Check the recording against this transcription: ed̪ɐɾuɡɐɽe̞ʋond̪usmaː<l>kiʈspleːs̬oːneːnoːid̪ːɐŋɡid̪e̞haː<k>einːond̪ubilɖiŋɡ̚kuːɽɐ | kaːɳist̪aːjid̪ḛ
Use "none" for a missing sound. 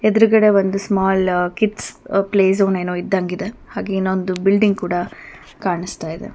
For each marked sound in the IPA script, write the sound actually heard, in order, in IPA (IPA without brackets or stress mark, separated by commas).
l, ɡ